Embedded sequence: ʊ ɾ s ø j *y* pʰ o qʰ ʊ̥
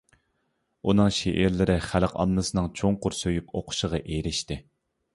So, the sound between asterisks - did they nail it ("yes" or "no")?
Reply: yes